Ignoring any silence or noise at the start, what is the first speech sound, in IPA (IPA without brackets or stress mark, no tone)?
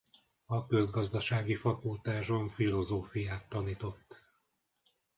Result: ɒ